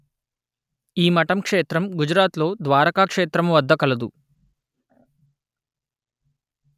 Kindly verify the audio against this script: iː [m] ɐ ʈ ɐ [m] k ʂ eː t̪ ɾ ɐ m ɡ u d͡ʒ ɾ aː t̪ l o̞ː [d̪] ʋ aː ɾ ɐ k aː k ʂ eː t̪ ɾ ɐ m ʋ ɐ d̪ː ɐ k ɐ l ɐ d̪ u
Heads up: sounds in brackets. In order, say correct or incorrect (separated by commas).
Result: correct, correct, correct